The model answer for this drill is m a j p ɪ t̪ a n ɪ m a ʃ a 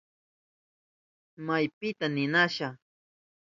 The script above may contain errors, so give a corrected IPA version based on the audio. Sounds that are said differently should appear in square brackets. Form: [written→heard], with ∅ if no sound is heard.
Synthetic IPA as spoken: m a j p ɪ t̪ a n ɪ [m→n] a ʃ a